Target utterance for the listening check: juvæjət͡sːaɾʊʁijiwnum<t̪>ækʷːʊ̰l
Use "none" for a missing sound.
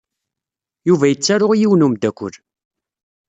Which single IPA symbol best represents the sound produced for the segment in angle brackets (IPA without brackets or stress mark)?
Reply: d̪